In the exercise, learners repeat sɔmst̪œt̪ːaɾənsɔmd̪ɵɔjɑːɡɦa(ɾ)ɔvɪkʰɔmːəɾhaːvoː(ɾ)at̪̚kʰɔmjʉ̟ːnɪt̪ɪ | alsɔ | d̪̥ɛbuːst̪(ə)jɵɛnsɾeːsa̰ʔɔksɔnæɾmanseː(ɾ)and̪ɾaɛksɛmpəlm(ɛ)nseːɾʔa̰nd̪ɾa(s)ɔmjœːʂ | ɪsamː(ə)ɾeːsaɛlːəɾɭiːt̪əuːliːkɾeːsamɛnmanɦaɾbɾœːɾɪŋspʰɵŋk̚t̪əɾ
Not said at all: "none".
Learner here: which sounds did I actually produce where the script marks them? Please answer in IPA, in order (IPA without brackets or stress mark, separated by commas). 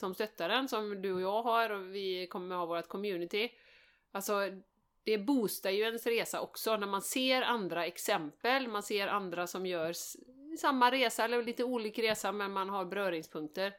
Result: ɾ, ɾ, a, ɾ, a, s, a